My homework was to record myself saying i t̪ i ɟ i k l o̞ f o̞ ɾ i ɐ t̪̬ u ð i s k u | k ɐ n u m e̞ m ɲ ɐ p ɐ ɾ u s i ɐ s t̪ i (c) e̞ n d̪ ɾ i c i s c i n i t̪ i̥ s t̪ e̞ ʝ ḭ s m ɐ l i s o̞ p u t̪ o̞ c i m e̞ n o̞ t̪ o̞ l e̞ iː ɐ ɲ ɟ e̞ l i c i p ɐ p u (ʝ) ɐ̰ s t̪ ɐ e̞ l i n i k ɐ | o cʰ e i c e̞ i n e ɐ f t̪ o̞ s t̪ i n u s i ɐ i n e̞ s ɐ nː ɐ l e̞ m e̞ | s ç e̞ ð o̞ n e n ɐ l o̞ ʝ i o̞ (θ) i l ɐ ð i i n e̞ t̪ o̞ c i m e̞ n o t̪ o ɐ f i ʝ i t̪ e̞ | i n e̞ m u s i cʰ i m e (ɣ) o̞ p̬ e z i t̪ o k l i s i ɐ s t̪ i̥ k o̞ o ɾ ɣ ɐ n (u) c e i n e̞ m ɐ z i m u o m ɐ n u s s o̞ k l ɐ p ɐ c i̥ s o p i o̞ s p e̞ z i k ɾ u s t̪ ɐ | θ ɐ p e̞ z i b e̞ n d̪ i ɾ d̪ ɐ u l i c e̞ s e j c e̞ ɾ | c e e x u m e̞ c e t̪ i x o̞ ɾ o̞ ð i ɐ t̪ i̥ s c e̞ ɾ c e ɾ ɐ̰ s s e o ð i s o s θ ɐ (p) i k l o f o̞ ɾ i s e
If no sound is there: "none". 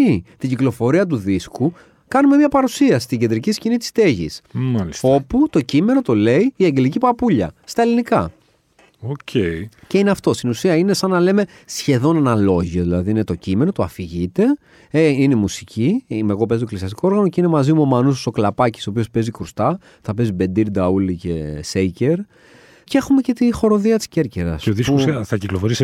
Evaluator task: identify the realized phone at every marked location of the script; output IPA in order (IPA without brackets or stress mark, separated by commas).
ɟ, ʎ, ð, ɣ, o, c